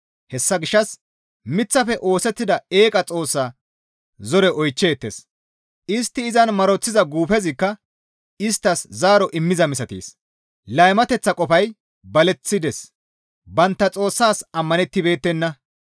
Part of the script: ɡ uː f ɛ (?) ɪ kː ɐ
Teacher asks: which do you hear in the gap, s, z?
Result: z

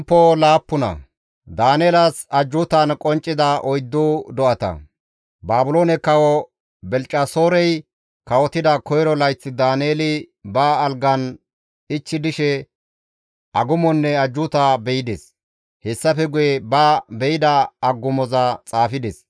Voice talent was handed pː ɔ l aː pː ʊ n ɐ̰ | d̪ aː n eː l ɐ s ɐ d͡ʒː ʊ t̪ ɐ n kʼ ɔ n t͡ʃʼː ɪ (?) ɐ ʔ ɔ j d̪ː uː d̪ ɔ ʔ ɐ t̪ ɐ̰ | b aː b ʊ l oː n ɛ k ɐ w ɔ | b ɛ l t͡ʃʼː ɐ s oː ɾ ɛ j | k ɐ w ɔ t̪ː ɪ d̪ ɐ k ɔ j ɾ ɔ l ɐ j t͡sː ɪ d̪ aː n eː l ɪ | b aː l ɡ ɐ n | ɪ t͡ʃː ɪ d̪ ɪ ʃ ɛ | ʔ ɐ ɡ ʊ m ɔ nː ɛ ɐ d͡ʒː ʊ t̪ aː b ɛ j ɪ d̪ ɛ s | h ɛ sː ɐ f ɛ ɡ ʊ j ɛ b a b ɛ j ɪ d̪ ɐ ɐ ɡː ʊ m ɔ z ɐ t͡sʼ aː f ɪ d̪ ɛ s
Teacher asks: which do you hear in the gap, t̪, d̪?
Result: d̪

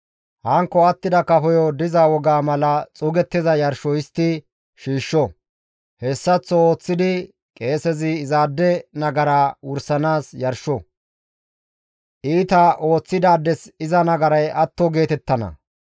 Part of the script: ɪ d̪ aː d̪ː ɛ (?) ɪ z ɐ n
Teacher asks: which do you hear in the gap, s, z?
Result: s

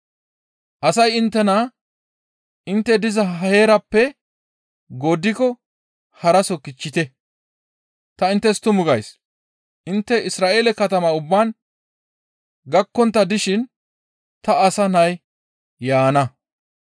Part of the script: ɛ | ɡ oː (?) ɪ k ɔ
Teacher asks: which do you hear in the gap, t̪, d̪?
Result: d̪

